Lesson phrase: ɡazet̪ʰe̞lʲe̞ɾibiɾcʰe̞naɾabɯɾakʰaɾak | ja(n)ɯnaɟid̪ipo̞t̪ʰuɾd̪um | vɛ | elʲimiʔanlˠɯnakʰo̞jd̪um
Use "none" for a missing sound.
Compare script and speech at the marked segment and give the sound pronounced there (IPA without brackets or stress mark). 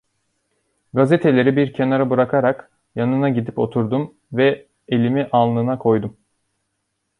n